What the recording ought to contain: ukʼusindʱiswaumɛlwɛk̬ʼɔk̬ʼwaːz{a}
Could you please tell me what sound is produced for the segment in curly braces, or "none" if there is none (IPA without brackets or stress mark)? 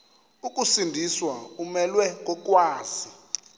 i